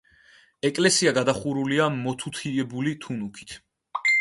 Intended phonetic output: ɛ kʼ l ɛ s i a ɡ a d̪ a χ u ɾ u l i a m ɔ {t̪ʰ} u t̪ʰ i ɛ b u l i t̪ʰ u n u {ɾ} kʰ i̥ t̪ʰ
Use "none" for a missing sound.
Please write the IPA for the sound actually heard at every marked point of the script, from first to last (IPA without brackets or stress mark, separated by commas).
t̪ʰ, none